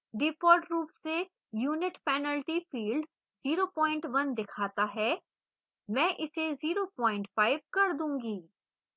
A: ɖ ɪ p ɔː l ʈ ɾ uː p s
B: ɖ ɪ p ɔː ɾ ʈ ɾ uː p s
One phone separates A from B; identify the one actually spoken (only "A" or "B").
B